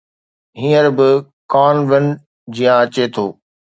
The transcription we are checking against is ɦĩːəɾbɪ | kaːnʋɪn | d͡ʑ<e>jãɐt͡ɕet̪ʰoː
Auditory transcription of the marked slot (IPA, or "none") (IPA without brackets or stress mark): i